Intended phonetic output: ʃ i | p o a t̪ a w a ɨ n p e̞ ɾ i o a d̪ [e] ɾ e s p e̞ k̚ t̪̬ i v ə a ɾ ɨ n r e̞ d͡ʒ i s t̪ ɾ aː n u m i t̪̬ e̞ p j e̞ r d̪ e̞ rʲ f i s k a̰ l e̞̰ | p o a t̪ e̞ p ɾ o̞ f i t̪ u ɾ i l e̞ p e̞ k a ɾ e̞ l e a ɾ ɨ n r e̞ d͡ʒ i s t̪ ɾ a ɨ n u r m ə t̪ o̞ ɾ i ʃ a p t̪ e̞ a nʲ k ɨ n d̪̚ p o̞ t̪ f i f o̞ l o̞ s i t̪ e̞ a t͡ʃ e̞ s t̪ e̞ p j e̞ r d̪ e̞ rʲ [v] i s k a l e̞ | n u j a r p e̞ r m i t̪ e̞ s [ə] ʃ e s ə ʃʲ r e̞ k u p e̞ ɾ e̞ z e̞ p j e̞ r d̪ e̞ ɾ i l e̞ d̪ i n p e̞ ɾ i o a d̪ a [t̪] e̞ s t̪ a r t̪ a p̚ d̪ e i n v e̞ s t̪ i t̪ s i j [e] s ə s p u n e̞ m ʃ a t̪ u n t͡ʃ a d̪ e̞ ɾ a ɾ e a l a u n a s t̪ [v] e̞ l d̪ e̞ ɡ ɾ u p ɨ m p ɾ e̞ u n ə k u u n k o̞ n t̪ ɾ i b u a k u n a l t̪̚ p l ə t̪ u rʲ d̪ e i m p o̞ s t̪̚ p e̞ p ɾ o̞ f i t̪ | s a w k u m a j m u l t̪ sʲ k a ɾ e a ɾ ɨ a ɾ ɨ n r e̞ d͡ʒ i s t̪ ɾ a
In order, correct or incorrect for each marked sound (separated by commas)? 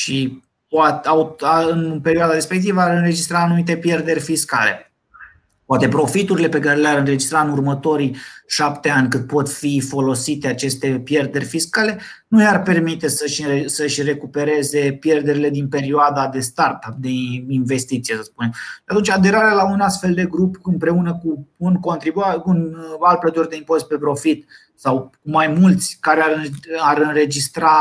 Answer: incorrect, incorrect, correct, incorrect, correct, incorrect